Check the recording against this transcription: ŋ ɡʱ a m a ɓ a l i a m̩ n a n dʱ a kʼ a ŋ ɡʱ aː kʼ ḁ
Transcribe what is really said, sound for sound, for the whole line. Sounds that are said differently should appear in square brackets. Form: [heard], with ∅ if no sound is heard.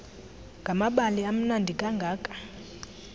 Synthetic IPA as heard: ŋ ɡʱ a m a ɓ a l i a m̩ n a n dʱ [i] kʼ a ŋ ɡʱ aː kʼ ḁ